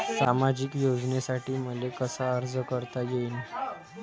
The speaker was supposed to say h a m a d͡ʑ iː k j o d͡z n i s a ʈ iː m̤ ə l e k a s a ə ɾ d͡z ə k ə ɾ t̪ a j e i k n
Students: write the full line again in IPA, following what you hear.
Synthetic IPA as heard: s a m a d͡ʑ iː k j o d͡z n e s a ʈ iː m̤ ə l e k ə s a ə ɾ d͡z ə k ə ɾ t̪ a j e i n